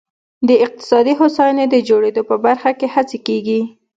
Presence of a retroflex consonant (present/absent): present